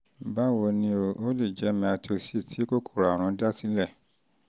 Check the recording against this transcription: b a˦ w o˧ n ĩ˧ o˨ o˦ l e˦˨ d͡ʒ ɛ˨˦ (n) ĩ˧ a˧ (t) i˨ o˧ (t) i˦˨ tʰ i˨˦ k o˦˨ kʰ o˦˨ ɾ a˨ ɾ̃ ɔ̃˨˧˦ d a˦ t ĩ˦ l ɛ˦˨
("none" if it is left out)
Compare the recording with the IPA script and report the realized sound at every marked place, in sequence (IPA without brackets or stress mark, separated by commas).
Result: m, t, s